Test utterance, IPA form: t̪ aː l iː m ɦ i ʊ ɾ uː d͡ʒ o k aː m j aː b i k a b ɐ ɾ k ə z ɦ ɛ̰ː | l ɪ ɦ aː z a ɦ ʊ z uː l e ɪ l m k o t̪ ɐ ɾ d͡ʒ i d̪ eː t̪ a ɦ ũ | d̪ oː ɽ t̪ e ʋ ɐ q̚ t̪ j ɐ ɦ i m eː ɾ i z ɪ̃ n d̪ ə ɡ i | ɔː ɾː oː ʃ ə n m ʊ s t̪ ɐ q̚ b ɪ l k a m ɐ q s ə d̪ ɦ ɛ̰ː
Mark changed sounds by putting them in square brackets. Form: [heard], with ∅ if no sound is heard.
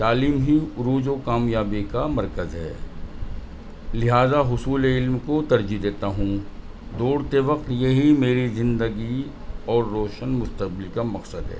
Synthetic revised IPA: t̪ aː l iː m ɦ i ʊ ɾ uː d͡ʒ o k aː m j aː b i k a [m] ɐ ɾ k ə z ɦ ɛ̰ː | l ɪ ɦ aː z a ɦ ʊ [s] uː l e ɪ l m k o t̪ ɐ ɾ d͡ʒ i d̪ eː t̪ a ɦ ũ | d̪ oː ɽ t̪ e ʋ ɐ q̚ t̪ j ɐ ɦ i m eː ɾ i z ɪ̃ n d̪ ə ɡ i | ɔː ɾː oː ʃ ə n m ʊ s t̪ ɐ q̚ b ɪ l k a m ɐ q s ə d̪ ɦ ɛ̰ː